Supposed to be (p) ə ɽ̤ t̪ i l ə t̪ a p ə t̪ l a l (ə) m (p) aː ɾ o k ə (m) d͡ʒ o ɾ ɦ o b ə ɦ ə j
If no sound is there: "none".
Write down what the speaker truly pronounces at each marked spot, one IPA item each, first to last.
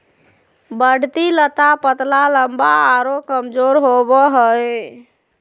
b, ə, b, m

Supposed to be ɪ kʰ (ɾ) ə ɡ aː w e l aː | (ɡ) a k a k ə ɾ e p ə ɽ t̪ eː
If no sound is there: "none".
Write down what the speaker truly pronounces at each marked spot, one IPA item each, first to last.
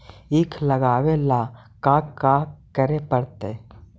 l, k

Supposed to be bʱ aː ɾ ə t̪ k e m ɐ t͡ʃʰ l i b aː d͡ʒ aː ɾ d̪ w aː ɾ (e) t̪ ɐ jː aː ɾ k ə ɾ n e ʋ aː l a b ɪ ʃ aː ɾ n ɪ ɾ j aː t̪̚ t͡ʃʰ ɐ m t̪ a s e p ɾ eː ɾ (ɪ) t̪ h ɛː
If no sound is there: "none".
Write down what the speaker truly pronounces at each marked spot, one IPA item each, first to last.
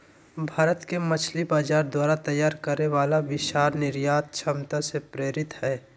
a, ɪ

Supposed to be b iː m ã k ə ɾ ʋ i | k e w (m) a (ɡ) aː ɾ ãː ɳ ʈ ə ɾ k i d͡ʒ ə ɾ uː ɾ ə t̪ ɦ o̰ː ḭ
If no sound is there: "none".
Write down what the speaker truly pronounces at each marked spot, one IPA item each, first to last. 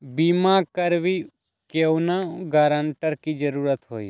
n, ɡ

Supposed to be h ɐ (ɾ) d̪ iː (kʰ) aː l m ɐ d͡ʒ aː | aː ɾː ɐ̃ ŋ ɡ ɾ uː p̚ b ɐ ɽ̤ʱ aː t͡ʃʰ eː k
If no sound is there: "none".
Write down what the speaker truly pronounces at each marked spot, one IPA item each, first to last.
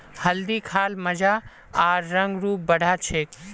l, kʰ

